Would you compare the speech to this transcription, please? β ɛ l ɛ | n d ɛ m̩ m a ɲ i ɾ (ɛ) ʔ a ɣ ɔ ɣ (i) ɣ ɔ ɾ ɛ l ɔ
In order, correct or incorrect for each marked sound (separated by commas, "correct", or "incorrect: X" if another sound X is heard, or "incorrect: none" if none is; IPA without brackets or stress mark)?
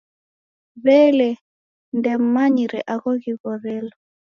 correct, correct